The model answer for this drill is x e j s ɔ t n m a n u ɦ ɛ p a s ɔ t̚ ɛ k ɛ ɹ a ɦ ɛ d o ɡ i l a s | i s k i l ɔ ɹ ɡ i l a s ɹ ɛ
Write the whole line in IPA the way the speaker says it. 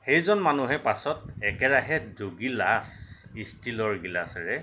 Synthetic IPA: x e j z ɔ n m a n u ɦ ɛ p a s ɔ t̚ ɛ k ɛ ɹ a ɦ ɛ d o ɡ i l a s | i s t i l ɔ ɹ ɡ i l a s ɹ ɛ